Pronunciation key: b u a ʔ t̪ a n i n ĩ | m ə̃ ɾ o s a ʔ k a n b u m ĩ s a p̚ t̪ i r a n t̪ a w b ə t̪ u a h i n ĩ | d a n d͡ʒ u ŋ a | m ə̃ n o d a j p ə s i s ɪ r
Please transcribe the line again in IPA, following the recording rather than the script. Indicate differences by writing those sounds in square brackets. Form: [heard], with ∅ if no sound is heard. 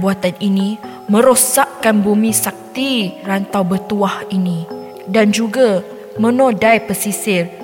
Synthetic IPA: b u a [∅] t̪ a n i n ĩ | m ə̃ ɾ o s a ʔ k a n b u m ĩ s a [k̚] t̪ i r a n t̪ a w b ə t̪ u a h i n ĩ | d a n d͡ʒ u [ɡ] a | m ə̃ n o d a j p ə s i s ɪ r